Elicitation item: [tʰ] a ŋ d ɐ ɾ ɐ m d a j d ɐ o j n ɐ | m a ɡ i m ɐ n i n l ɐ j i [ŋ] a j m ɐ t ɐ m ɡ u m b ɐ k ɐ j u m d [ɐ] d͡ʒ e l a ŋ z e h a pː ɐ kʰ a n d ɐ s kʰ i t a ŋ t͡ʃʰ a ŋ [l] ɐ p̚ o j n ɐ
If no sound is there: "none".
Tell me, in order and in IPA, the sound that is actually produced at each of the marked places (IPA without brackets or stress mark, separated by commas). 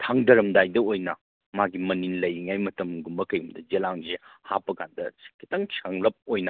tʰ, ŋ, ɐ, l